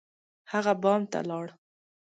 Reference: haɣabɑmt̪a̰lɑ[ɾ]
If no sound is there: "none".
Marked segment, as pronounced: ɽ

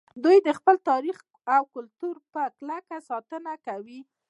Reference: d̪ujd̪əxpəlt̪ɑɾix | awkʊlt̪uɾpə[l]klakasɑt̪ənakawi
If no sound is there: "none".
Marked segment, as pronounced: none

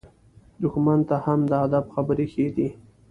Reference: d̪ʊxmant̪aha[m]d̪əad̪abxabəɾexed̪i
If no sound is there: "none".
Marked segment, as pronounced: m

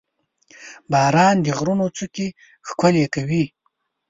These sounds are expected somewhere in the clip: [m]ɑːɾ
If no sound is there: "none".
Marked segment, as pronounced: b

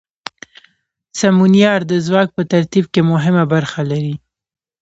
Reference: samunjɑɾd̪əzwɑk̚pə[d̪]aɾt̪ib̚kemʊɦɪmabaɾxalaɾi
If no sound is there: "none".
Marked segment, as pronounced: t̪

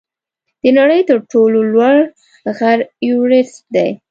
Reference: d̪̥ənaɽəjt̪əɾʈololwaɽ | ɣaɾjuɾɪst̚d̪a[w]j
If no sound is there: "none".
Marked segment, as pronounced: none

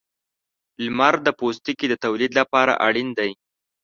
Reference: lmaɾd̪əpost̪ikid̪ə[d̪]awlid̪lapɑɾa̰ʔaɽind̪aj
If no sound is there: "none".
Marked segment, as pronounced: t̪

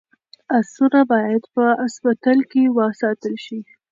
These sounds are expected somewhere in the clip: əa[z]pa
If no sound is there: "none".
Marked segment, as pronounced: s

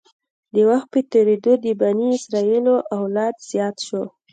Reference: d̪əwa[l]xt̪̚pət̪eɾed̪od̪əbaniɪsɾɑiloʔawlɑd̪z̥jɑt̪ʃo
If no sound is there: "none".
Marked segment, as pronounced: none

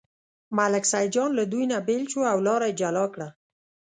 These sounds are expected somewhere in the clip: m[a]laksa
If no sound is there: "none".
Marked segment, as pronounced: a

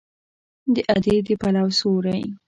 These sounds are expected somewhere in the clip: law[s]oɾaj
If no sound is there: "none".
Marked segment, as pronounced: s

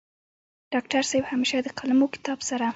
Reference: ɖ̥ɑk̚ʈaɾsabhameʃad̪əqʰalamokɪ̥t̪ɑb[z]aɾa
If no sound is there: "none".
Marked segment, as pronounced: s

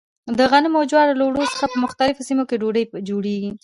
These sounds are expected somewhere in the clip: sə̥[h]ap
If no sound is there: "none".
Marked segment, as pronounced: x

